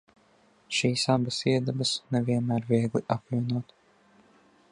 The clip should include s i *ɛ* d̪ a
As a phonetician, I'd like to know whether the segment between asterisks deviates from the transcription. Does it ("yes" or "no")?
no